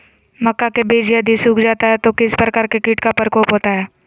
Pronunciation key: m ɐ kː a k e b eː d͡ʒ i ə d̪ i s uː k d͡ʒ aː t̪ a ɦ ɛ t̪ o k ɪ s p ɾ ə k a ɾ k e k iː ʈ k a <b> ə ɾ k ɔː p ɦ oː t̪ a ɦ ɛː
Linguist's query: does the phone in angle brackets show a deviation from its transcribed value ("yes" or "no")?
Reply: yes